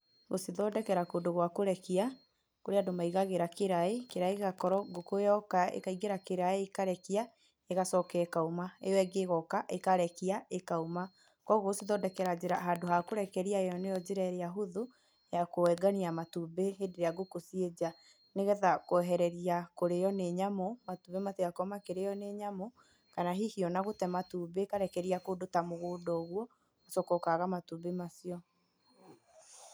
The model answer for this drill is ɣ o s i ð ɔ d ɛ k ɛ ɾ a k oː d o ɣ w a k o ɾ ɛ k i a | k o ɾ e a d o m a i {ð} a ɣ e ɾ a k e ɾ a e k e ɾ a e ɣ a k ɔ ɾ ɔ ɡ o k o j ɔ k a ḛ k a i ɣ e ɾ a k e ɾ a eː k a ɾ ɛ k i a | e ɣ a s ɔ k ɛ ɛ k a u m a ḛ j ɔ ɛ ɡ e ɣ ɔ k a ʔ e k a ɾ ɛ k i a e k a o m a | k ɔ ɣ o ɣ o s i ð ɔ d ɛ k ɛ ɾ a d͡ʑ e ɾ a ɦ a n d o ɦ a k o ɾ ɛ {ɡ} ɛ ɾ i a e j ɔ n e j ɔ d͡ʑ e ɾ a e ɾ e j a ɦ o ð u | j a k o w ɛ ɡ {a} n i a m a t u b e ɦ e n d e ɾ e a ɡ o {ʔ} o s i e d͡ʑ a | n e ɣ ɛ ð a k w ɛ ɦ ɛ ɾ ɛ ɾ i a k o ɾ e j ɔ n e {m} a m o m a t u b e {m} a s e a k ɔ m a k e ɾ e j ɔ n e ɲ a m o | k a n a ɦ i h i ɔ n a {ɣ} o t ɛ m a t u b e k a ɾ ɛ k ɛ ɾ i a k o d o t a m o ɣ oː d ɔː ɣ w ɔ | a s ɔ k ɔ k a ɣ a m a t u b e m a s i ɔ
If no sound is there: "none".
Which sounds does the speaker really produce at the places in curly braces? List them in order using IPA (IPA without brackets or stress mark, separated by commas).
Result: ɣ, k, a, k, ɲ, m, ɣ